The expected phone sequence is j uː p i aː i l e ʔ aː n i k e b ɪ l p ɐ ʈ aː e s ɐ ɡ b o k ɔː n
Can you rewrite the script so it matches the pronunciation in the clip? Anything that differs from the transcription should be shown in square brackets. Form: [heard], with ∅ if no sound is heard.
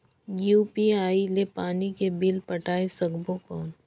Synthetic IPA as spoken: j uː p i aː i l e [p] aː n i k e b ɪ l p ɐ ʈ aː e s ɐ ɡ b o k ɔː n